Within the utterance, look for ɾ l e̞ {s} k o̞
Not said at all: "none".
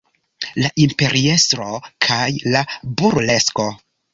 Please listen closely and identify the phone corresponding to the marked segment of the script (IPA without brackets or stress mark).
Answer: s